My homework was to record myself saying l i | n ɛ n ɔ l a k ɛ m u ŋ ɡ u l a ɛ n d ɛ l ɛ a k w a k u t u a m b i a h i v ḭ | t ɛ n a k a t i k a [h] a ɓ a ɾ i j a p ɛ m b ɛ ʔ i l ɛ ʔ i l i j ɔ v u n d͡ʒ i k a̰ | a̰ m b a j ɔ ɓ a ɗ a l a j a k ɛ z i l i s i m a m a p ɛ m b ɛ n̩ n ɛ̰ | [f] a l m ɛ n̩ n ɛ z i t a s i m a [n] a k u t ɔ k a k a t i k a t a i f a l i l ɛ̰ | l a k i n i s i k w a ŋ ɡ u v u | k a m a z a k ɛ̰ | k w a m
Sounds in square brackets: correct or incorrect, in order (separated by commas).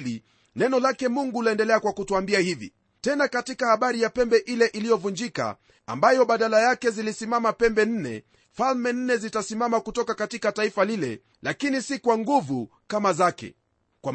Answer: correct, correct, incorrect